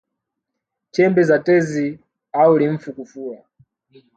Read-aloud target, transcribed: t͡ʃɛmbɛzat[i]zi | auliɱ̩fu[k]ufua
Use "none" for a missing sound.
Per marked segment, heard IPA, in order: ɛ, k

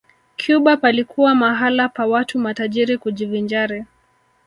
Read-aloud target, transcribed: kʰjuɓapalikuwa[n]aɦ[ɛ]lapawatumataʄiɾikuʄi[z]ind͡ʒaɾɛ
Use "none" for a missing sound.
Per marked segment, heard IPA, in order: m, a, v

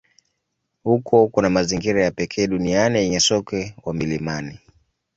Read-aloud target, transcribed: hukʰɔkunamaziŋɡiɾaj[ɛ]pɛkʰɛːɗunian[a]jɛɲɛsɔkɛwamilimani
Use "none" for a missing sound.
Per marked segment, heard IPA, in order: a, i

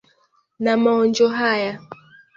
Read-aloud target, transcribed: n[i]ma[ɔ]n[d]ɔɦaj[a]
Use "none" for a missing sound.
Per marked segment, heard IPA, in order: a, ɔ, d͡ʒ, a

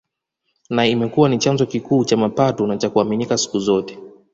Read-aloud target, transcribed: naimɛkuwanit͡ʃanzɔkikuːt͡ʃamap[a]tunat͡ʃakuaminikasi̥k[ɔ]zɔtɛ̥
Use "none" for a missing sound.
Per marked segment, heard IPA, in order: a, u

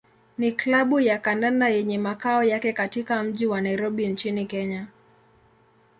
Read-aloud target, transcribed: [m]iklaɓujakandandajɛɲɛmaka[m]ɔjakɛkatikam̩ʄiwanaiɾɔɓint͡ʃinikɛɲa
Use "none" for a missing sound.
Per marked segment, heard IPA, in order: n, none

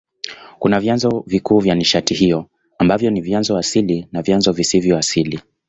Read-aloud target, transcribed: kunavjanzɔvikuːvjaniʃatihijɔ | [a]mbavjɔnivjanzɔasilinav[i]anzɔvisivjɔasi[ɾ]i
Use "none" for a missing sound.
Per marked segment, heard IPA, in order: a, j, l

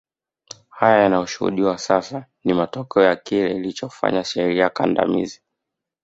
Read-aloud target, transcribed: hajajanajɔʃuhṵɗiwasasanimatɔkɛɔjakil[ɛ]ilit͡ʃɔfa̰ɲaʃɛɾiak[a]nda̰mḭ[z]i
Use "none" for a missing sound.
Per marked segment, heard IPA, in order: ɛ, a, z

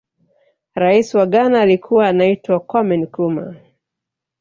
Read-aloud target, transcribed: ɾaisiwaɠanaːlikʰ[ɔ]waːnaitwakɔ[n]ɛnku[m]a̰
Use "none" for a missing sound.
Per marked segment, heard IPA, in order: u, m, m

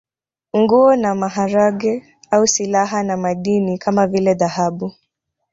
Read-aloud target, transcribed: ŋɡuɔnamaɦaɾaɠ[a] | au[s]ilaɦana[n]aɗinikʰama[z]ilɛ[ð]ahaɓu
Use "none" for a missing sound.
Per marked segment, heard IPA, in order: ɛ, s, m, v, ð

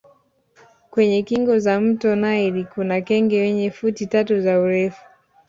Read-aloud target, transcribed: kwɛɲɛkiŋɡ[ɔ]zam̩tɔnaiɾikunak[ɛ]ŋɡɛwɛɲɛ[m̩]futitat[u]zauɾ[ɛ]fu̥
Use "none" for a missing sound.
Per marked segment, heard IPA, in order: ɔ, ɛ, none, u, ɛ

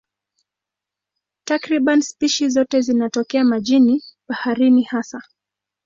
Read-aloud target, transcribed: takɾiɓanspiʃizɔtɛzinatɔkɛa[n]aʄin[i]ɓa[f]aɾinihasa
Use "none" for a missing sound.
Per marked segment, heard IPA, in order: m, i, h

